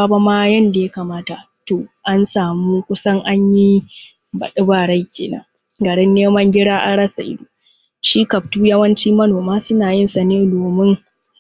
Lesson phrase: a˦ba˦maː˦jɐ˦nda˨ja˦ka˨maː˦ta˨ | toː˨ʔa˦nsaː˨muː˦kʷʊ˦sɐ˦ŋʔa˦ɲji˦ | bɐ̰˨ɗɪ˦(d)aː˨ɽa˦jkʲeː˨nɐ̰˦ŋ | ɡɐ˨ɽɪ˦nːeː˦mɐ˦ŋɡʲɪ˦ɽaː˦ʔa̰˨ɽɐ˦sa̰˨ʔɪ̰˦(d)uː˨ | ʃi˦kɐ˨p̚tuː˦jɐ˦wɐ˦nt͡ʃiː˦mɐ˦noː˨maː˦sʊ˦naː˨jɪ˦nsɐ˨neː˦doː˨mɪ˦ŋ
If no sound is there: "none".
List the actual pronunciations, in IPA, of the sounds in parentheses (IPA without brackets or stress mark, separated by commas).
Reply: b, d